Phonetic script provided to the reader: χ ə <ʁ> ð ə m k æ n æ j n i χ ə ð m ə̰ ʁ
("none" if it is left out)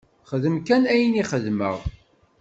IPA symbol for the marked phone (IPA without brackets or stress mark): none